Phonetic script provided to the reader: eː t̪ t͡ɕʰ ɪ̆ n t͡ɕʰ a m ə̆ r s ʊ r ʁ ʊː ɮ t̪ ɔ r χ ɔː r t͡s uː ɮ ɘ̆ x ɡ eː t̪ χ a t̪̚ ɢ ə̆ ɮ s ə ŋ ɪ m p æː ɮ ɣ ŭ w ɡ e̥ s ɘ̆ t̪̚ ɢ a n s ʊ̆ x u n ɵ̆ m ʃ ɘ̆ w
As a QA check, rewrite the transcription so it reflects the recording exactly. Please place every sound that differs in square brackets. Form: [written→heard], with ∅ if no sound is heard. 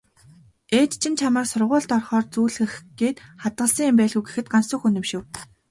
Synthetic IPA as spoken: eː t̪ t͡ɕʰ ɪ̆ n t͡ɕʰ a m ə̆ r s ʊ r ʁ ʊː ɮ t̪ ɔ r χ ɔː r t͡s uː ɮ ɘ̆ x ɡ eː t̪ χ a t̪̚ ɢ ə̆ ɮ s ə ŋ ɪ m p æː ɮ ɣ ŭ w ɡ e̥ [s→x] ɘ̆ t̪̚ ɢ a n s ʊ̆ x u n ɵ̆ m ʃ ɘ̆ w